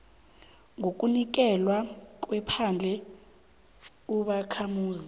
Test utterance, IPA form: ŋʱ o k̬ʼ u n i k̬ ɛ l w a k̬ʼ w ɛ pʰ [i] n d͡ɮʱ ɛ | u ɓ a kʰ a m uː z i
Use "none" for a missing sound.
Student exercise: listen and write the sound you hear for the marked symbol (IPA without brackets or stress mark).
a